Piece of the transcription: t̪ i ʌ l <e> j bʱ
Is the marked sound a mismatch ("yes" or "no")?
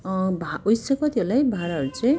yes